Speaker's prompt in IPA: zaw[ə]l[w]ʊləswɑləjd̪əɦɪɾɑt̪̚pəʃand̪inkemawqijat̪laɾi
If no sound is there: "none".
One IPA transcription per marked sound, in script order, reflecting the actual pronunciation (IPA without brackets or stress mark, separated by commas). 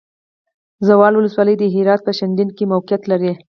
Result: ɑ, w